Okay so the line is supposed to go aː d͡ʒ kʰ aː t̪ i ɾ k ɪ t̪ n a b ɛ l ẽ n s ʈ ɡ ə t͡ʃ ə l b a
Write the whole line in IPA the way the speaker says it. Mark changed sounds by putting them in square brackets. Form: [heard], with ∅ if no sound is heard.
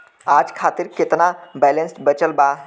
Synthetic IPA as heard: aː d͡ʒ kʰ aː t̪ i ɾ k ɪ t̪ n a b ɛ l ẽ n s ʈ [b] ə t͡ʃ ə l b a

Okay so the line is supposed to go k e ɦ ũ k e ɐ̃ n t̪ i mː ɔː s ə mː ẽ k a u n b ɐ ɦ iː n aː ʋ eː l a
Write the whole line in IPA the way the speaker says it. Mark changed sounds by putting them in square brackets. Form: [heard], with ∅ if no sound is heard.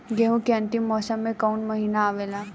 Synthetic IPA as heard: [ɡ] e ɦ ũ k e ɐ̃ n t̪ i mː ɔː s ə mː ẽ k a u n [m] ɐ ɦ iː n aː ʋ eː l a

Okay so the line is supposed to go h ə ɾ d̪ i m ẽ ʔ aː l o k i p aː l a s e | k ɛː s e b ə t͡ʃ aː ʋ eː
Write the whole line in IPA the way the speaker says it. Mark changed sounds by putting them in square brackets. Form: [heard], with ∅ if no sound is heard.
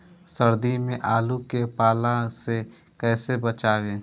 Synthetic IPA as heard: [s] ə ɾ d̪ i m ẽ ʔ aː l [u] k [e] p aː l a s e | k ɛː s e b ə t͡ʃ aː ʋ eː

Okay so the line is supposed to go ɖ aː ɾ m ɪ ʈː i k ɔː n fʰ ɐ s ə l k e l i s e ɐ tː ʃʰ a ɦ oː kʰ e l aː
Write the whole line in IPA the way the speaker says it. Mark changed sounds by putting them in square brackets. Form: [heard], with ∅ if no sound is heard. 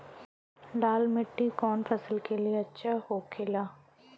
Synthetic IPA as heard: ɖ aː [l] m ɪ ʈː i k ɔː n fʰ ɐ s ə l k e l i [∅] e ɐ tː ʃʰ a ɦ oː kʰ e l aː

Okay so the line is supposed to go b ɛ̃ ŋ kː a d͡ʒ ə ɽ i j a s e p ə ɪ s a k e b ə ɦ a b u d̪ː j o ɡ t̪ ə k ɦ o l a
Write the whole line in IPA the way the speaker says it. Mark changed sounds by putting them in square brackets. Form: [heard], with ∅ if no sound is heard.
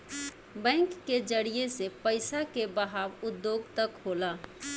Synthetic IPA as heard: b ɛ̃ ŋ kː [e] d͡ʒ ə ɽ i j [e] s e p ə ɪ s a k e b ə ɦ a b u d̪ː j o ɡ t̪ ə k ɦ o l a

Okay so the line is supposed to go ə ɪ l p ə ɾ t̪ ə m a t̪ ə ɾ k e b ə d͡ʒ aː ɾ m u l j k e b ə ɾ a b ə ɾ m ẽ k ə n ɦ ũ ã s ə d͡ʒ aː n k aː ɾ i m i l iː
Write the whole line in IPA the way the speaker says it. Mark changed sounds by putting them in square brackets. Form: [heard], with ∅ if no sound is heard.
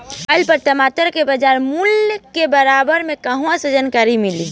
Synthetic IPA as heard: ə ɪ l p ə ɾ t̪ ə m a t̪ ə ɾ k e b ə d͡ʒ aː ɾ m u l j k e b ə ɾ a b ə ɾ m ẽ k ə [∅] ɦ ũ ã s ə d͡ʒ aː n k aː ɾ i m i l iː

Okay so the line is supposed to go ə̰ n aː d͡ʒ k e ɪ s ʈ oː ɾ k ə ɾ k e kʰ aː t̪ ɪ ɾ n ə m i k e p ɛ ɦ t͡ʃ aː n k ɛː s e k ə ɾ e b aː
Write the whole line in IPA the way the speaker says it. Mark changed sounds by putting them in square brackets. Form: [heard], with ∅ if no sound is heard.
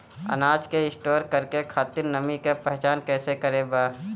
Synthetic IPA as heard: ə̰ n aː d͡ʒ k e ɪ s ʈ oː ɾ k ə ɾ k e kʰ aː t̪ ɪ ɾ n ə m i k e p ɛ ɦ t͡ʃ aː n k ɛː s e k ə ɾ e b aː

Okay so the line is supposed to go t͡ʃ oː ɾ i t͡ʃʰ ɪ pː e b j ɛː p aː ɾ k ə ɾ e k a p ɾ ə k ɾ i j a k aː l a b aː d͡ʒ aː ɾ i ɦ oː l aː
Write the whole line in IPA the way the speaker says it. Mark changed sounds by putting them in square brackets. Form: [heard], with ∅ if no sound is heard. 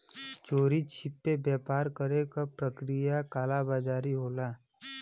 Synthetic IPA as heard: t͡ʃ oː ɾ i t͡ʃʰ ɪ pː e b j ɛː p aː ɾ k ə ɾ e k a p ɾ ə k ɾ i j a k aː l a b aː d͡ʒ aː ɾ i ɦ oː l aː

